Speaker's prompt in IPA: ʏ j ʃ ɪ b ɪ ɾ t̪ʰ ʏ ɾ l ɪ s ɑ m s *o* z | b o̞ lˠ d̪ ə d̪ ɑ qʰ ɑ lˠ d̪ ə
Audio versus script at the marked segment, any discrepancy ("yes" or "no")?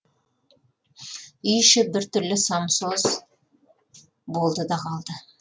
no